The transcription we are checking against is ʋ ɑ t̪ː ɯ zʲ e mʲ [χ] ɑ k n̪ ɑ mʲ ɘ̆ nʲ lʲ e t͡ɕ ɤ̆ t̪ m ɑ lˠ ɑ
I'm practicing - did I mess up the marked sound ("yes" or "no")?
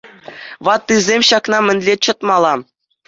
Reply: yes